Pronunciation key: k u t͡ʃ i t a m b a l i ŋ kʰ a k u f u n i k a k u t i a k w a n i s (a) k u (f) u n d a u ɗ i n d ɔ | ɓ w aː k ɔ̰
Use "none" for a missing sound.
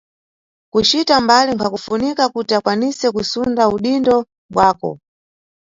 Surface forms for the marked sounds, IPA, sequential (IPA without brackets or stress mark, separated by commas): ɛ, s